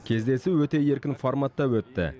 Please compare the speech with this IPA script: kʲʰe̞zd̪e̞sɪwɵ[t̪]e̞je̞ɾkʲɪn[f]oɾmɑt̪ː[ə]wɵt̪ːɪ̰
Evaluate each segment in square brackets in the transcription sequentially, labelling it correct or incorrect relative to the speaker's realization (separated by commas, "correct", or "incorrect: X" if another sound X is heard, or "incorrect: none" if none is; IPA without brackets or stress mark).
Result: correct, correct, incorrect: ɑ